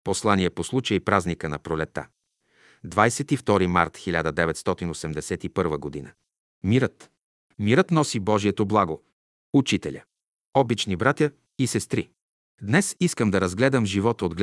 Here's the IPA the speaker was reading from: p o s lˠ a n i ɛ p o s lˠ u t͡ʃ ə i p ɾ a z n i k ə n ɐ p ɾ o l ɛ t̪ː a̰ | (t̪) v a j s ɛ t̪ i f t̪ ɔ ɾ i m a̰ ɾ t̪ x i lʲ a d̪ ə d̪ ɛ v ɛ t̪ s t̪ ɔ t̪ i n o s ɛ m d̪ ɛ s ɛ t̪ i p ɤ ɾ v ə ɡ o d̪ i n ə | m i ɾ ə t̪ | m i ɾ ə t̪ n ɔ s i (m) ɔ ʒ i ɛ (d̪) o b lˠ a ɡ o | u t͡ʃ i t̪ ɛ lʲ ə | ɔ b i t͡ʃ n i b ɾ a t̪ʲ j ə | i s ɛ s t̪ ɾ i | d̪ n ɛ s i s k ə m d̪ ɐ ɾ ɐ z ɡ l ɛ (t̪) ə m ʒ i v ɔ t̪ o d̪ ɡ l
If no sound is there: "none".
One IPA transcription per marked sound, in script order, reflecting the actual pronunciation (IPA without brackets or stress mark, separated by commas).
d̪, b, t̪, d̪